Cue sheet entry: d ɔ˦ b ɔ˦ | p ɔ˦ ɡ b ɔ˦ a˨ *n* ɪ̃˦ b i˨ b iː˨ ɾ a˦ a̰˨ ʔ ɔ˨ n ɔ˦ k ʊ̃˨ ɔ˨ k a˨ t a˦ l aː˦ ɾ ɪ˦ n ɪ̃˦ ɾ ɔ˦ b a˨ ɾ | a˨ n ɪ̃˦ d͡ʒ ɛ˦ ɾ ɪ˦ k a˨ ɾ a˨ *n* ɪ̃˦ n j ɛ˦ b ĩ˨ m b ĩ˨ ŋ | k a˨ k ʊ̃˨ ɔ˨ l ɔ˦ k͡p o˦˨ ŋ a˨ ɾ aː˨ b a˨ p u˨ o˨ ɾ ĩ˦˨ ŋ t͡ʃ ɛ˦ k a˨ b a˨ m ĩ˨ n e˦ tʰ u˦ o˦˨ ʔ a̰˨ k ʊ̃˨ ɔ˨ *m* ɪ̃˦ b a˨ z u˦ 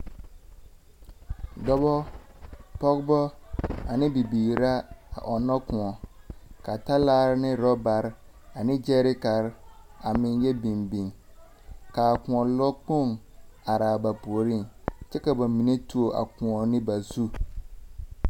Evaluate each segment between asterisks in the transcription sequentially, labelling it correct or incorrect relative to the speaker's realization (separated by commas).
correct, incorrect, incorrect